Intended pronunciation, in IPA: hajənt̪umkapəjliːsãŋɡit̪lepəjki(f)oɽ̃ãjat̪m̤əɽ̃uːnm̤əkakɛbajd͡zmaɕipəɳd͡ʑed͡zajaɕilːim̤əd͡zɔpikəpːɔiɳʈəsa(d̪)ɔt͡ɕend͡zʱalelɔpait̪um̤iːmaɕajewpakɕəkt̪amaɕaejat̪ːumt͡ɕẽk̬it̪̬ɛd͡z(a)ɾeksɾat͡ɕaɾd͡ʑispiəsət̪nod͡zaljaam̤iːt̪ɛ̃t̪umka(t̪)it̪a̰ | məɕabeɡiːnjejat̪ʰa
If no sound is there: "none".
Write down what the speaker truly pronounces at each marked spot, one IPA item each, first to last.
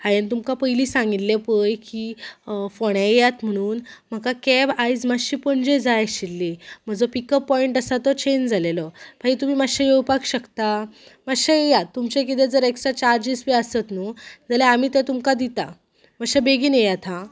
f, t̪, ə, d̪

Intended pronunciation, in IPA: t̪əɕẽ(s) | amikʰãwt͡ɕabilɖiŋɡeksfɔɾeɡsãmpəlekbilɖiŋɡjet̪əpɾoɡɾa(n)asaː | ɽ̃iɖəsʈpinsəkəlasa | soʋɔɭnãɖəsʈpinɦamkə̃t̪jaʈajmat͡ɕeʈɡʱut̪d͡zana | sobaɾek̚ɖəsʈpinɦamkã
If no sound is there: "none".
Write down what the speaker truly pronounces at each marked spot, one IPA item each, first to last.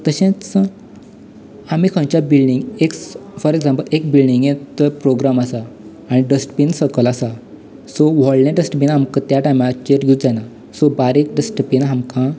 t͡s, m

